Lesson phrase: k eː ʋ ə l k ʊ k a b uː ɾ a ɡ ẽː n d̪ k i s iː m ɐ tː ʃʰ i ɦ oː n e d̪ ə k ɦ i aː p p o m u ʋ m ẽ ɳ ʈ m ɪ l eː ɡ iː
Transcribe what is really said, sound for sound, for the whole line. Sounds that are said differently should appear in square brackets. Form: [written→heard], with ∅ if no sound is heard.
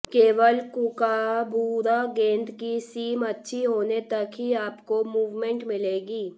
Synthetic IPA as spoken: k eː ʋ ə l k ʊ k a b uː ɾ a ɡ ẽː n d̪ k i s iː m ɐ tː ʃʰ i ɦ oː n e [d̪→t̪] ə k ɦ i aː p [p→k] o m [u→uː] ʋ m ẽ ɳ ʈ m ɪ l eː ɡ iː